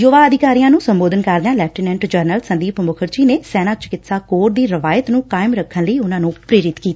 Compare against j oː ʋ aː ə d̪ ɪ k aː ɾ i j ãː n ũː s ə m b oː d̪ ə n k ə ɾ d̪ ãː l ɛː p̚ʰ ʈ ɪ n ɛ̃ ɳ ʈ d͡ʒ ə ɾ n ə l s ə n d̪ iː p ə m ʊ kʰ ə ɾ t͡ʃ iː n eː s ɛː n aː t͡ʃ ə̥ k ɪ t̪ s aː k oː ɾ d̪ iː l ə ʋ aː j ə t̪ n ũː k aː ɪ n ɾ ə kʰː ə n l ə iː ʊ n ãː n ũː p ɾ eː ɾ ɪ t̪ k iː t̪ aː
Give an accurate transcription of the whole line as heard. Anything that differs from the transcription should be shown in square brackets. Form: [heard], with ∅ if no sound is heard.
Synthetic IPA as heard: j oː ʋ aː ə d̪ ɪ k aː ɾ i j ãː n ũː s ə m b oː d̪ ə n k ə ɾ d̪ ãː l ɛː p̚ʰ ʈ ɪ n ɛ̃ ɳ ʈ d͡ʒ ə ɾ n ə l s ə n d̪ iː p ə m ʊ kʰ ə ɾ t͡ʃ iː n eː s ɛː n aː t͡ʃ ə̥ k ɪ t̪ s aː k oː ɾ d̪ iː [ɾ] ə ʋ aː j ə t̪ n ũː k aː ɪ [m] ɾ ə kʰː ə n l ə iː ʊ n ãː n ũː p ɾ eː ɾ ɪ t̪ k iː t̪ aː

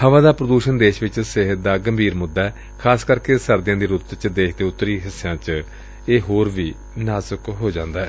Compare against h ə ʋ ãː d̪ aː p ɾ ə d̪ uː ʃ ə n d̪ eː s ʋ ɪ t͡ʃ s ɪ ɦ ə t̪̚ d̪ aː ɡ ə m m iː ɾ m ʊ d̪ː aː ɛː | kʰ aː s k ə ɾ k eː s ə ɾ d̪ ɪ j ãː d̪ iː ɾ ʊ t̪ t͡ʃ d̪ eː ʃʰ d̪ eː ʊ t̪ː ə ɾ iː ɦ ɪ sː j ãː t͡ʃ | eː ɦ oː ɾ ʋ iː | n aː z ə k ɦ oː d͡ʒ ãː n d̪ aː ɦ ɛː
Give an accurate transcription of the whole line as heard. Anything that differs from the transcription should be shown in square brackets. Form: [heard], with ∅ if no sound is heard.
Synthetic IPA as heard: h ə ʋ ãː d̪ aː p ɾ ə d̪ uː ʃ ə n d̪ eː [ʃ] ʋ ɪ t͡ʃ s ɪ ɦ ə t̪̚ d̪ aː ɡ ə m [b] iː ɾ m ʊ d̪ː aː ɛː | kʰ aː s k ə ɾ k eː s ə ɾ d̪ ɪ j ãː d̪ iː ɾ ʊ t̪ t͡ʃ d̪ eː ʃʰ d̪ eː ʊ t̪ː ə ɾ iː ɦ ɪ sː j ãː t͡ʃ | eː ɦ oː ɾ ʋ iː | n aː z ə k ɦ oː d͡ʒ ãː n d̪ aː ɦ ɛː

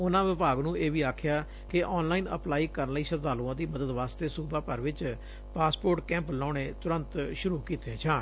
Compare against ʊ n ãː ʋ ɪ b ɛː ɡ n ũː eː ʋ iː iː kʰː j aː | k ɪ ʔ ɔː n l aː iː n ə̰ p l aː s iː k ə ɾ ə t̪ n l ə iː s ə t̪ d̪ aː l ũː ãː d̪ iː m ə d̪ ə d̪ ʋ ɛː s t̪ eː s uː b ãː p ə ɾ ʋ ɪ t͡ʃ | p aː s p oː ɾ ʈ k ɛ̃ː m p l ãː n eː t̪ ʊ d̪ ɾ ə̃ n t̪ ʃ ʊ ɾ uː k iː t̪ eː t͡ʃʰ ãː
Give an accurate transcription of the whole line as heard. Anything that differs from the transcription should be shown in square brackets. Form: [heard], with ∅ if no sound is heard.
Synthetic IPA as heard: ʊ n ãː ʋ ɪ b [aː] ɡ n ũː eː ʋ iː [aː] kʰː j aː | k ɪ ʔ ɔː n l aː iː n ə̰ p l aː [∅] iː k ə ɾ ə [∅] n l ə iː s ə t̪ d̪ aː l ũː ãː d̪ iː m ə d̪ ə d̪ ʋ [aː] s t̪ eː s uː b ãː p ə ɾ ʋ ɪ t͡ʃ | p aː s p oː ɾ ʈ k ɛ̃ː m p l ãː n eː t̪ ʊ [∅] ɾ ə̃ n t̪ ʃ ʊ ɾ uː k iː t̪ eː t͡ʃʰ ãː

